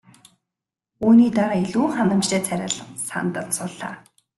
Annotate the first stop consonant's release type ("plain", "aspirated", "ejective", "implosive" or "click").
plain